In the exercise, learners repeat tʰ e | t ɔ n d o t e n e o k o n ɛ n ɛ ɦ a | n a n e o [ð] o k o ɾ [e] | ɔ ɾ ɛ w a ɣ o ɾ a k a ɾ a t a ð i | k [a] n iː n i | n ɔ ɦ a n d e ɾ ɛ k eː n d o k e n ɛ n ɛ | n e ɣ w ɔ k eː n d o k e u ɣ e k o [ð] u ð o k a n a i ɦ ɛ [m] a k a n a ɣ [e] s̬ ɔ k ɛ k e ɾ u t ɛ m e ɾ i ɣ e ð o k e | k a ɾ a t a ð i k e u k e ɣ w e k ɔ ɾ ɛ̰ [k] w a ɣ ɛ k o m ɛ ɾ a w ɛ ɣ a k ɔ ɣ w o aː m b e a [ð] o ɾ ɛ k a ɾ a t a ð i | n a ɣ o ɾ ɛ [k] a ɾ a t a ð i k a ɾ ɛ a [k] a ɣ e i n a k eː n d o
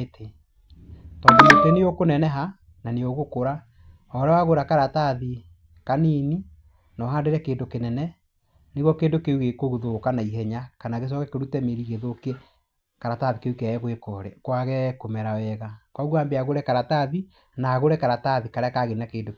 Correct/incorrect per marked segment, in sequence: incorrect: ɣ, incorrect: a, correct, incorrect: ɣ, incorrect: ɲ, correct, correct, incorrect: ɣ, correct, correct

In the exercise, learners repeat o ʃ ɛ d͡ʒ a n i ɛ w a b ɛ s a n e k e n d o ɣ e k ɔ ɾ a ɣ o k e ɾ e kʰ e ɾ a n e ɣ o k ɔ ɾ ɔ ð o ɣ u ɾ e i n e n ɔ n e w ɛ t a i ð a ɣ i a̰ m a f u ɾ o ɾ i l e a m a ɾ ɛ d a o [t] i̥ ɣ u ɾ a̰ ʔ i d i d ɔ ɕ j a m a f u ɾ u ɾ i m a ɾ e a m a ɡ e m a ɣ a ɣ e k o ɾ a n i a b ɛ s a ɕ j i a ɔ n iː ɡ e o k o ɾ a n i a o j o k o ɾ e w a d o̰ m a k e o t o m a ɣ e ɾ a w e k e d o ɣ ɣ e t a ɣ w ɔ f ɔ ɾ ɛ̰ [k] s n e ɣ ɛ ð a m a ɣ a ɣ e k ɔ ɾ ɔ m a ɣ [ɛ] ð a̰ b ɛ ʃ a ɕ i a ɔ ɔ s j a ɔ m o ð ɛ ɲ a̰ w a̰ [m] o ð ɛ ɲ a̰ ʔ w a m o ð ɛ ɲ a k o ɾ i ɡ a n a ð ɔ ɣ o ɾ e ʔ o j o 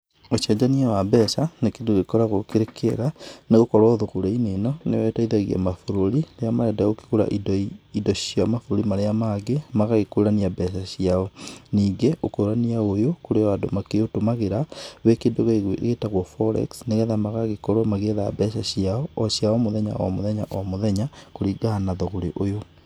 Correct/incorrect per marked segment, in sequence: incorrect: k, correct, incorrect: e, correct

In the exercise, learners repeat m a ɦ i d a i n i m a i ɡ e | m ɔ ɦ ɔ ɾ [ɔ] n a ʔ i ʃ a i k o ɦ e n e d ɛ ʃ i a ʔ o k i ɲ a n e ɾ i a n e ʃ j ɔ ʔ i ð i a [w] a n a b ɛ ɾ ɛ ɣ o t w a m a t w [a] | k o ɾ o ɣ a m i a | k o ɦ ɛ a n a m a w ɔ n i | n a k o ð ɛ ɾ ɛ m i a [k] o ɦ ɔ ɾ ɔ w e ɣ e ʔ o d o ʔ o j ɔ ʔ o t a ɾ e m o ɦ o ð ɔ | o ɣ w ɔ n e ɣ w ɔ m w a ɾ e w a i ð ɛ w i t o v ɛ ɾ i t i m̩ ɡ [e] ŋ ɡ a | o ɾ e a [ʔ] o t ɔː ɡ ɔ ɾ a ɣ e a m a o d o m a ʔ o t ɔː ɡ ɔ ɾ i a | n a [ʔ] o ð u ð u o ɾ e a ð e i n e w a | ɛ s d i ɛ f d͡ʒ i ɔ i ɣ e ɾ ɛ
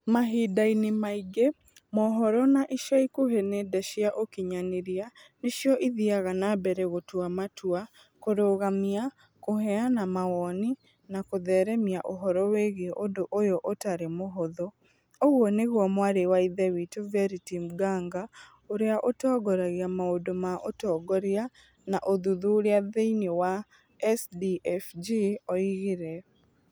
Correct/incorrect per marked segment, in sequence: correct, incorrect: ɣ, correct, incorrect: ʔ, incorrect: a, correct, correct

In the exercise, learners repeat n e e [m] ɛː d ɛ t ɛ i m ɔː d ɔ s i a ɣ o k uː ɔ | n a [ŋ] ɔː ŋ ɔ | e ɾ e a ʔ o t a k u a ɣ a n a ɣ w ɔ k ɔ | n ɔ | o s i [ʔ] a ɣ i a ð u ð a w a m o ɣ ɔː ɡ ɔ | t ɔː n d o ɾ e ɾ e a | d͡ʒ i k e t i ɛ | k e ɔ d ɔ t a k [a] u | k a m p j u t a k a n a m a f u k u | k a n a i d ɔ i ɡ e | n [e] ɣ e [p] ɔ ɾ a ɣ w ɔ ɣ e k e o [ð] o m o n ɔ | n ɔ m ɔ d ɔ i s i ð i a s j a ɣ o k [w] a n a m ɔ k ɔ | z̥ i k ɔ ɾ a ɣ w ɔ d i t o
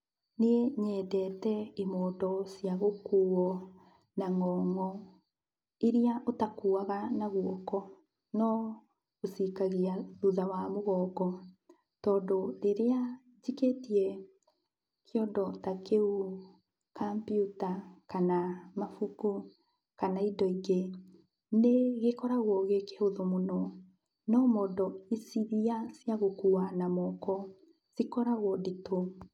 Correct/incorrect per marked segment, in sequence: incorrect: ɲ, correct, incorrect: k, incorrect: e, correct, incorrect: k, correct, incorrect: u

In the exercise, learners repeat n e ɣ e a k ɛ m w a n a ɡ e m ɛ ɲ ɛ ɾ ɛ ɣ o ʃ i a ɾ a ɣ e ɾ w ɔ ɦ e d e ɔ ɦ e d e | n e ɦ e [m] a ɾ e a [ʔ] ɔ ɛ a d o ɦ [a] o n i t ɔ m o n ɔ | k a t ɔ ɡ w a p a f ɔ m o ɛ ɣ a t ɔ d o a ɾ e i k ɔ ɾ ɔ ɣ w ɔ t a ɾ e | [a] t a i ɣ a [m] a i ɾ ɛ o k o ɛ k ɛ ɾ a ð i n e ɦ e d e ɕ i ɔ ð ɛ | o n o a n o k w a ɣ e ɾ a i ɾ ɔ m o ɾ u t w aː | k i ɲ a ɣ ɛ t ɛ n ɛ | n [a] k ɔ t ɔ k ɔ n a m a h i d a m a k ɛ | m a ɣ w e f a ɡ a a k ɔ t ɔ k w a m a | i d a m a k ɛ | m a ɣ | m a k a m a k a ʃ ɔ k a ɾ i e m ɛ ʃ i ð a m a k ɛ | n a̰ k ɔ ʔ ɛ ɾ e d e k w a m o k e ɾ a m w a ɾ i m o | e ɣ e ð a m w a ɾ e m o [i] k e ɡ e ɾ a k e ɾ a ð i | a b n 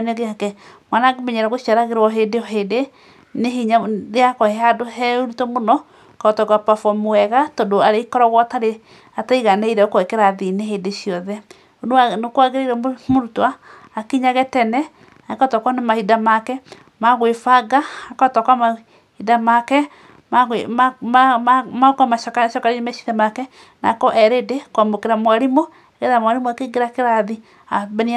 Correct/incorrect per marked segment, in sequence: incorrect: ɲ, incorrect: k, incorrect: ɛ, correct, incorrect: n, correct, incorrect: a

